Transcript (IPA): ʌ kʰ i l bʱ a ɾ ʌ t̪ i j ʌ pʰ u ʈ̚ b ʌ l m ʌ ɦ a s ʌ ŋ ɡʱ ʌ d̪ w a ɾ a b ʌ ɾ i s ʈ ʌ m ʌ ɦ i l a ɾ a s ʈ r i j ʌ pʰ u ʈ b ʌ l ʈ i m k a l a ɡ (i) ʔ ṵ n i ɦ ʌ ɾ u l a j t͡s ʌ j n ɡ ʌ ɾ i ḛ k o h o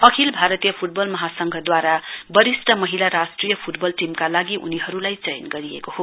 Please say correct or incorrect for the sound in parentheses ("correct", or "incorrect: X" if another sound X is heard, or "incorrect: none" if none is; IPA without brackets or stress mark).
correct